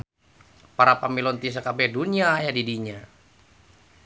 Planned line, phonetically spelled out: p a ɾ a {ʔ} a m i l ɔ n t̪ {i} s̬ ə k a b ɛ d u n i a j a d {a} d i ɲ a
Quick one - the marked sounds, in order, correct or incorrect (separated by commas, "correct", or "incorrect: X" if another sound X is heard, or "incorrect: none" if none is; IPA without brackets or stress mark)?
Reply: incorrect: p, correct, incorrect: i